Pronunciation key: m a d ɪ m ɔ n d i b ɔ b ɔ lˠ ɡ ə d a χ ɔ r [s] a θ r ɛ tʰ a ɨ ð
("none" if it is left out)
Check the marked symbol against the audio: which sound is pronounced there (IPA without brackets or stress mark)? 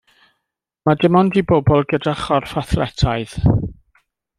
f